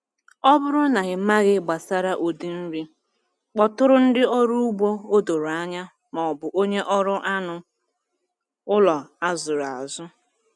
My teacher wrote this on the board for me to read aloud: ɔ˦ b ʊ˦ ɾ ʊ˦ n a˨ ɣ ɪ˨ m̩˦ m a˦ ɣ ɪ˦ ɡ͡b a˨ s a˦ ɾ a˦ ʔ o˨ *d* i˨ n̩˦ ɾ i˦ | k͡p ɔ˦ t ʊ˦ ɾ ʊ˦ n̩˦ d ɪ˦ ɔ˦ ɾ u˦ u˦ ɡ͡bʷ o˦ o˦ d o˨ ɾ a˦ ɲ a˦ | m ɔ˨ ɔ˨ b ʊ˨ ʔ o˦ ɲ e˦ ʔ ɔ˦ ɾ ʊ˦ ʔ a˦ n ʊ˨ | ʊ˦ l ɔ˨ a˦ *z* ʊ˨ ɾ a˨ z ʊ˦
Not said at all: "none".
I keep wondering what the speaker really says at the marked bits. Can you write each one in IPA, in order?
d, z

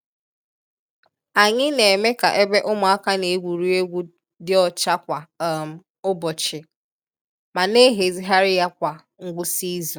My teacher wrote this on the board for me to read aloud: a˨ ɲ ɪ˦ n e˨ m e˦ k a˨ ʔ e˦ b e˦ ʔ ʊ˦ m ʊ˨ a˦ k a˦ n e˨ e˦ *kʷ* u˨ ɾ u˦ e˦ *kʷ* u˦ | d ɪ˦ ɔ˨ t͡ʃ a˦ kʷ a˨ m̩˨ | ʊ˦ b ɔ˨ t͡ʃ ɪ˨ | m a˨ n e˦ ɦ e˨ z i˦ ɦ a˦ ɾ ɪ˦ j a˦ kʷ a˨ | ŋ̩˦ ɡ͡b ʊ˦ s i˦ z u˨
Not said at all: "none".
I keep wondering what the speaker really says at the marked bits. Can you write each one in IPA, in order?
ɡʷ, ɡʷ

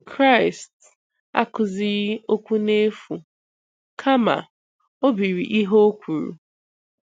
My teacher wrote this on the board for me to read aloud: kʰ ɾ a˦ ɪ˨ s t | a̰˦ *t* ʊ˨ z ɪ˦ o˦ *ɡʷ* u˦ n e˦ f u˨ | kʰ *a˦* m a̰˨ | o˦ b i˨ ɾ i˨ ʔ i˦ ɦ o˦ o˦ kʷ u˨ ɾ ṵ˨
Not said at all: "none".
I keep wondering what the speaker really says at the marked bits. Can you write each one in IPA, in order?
k, kʷ, a˦

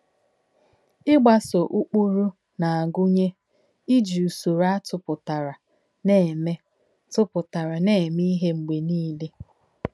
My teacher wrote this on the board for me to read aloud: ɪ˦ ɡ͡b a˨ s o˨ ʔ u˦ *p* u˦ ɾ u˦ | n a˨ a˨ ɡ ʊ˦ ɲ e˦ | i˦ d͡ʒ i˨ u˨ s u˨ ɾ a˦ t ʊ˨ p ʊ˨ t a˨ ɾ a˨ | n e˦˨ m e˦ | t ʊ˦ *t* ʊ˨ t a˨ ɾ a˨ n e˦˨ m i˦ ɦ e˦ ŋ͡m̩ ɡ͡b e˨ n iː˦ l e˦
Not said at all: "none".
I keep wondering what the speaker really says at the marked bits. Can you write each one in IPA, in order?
k͡p, p

